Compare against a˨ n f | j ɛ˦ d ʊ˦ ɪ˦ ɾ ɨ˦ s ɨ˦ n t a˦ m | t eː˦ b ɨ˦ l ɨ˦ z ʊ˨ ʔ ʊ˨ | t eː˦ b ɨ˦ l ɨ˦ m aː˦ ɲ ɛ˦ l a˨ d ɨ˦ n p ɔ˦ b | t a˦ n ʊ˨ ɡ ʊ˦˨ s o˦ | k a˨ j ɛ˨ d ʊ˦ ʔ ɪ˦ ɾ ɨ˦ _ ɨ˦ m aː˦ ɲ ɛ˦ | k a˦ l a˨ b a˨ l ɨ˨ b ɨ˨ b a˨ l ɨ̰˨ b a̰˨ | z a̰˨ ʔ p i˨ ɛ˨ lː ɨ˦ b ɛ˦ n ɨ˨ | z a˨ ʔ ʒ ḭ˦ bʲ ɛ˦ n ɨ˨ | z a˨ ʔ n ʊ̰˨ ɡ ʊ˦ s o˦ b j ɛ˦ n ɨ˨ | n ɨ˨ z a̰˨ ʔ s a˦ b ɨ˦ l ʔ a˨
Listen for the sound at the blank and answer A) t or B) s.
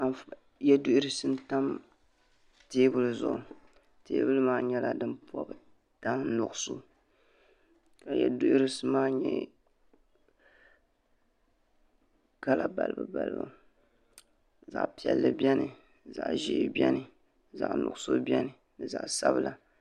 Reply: B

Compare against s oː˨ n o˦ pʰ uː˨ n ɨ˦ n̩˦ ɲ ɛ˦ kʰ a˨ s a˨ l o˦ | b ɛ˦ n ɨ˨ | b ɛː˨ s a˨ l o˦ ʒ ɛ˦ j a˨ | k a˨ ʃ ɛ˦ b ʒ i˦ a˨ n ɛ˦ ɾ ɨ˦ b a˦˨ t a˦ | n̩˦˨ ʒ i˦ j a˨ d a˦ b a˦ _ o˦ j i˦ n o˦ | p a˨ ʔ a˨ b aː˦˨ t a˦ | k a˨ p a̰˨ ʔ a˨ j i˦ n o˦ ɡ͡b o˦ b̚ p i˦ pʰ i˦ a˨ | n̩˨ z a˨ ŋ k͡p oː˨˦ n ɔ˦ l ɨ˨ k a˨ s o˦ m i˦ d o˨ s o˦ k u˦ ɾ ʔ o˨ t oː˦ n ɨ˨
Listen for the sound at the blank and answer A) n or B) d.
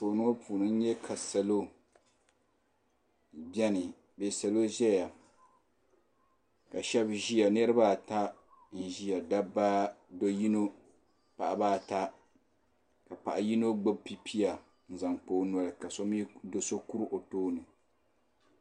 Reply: B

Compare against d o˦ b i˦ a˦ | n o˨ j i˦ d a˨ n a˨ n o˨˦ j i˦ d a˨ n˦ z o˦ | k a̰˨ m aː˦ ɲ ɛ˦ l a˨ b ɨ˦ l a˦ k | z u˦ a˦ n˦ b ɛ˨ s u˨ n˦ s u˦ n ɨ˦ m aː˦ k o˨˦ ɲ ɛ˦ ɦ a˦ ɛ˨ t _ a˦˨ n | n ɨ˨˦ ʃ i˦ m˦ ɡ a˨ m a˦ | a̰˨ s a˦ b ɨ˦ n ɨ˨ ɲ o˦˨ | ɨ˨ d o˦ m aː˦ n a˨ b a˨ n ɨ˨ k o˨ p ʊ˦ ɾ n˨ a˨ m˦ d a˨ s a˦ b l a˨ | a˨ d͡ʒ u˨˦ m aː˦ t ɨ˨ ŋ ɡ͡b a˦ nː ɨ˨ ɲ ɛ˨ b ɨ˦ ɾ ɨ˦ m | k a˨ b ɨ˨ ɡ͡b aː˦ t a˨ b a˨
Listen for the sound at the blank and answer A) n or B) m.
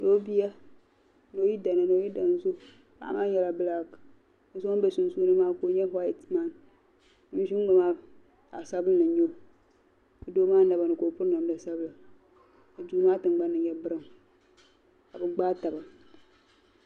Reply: B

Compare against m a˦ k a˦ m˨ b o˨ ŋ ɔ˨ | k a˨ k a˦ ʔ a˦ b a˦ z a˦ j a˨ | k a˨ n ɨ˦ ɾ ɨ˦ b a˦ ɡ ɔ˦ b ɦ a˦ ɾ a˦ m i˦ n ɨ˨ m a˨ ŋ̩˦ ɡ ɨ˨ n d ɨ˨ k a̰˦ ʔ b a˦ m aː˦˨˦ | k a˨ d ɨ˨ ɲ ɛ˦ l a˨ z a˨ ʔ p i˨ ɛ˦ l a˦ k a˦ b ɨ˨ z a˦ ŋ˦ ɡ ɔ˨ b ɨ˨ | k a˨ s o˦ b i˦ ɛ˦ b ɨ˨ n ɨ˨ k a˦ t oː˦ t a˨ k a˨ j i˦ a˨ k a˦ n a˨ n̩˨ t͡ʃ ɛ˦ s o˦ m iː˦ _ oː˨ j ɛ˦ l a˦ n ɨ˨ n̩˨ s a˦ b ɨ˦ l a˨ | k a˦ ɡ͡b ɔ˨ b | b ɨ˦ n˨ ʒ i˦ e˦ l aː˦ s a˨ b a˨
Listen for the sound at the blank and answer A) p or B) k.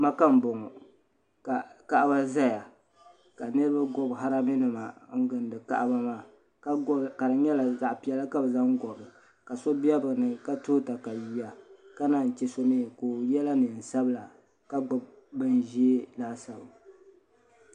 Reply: B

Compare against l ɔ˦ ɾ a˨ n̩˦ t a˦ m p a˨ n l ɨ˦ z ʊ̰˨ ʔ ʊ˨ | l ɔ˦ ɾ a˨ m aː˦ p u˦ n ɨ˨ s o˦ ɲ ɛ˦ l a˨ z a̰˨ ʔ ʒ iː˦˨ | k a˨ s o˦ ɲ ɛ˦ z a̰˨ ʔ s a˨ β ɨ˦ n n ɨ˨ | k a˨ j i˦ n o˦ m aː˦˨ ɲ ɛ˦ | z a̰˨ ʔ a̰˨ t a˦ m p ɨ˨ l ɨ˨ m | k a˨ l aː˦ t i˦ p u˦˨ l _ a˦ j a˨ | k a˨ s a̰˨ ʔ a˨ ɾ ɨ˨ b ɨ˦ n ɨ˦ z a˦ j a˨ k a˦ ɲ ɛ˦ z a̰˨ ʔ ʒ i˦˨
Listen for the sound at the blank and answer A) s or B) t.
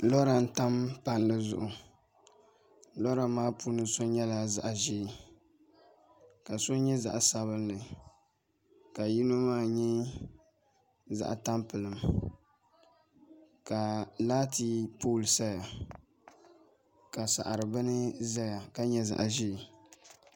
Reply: A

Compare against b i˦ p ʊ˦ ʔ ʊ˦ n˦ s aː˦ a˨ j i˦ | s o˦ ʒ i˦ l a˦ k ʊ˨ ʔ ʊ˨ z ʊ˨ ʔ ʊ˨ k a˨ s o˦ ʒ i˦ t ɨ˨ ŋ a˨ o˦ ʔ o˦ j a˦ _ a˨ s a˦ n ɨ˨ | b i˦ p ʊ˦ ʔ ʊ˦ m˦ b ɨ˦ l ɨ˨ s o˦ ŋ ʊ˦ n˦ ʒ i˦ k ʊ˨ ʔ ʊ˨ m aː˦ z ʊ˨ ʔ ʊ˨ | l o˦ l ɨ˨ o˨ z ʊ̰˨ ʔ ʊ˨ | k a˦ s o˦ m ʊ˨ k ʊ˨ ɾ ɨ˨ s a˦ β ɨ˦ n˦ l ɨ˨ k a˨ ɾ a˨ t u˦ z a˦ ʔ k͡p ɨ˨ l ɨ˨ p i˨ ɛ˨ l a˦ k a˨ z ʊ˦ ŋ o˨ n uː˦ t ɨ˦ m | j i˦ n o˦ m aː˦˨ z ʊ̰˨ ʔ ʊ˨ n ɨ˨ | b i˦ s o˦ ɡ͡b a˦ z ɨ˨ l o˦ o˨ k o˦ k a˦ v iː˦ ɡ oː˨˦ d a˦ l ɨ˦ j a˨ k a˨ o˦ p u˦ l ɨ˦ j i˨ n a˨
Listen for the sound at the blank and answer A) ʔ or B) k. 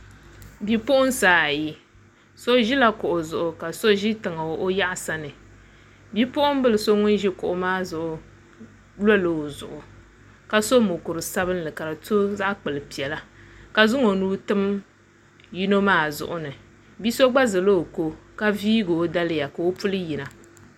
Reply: A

